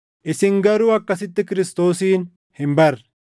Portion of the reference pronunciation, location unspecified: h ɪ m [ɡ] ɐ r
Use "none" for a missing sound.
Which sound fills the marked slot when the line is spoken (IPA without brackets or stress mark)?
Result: b